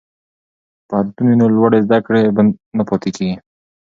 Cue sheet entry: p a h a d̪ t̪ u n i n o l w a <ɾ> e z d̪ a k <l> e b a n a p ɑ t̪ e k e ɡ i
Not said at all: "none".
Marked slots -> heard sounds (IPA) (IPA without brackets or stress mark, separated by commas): ɽ, ɽ